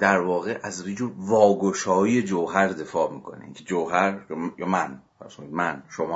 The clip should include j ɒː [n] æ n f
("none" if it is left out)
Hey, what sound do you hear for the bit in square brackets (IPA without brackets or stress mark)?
m